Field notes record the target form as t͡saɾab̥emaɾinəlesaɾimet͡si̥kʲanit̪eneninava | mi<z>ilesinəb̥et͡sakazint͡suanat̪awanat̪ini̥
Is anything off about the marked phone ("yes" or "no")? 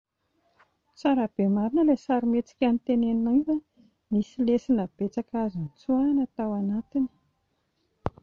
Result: yes